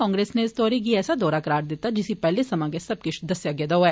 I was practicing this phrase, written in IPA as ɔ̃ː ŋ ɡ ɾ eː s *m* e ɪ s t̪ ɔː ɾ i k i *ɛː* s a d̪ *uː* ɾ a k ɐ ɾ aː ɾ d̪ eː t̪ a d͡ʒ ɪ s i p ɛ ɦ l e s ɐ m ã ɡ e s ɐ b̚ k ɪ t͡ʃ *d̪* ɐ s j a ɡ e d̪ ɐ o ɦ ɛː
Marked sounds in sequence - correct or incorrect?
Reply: incorrect, correct, incorrect, correct

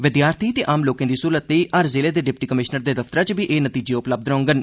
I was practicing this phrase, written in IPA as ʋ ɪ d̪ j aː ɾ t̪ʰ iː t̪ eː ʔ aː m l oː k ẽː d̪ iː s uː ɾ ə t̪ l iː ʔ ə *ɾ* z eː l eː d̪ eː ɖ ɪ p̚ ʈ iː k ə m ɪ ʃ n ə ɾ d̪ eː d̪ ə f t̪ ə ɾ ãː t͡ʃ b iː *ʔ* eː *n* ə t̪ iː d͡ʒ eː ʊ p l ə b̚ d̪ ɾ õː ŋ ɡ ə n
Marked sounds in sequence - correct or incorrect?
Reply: correct, correct, correct

